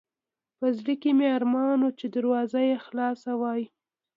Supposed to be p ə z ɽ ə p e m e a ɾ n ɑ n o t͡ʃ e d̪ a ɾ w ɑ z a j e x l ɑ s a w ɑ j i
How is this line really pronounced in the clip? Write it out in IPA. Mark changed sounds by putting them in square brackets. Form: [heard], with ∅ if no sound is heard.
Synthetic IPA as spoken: p ə z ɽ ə [k] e m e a ɾ [m] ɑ n o t͡ʃ e d̪ a ɾ w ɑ z a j e x l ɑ s a w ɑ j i